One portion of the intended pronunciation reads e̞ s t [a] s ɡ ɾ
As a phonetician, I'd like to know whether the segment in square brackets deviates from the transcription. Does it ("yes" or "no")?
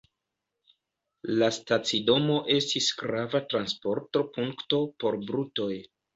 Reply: yes